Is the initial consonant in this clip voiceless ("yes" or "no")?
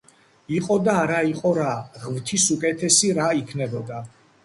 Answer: yes